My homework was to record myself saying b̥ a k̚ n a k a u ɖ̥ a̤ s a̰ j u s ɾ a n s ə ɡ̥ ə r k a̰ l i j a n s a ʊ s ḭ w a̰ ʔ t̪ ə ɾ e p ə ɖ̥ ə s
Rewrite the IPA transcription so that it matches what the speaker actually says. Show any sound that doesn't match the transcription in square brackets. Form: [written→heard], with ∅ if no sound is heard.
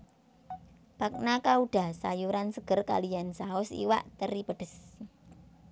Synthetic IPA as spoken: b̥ a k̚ n a k a u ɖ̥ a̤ s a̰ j u [s→∅] ɾ a n s ə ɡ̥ ə r k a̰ l i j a n s a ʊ s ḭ w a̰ ʔ t̪ ə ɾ [e→i] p ə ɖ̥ ə s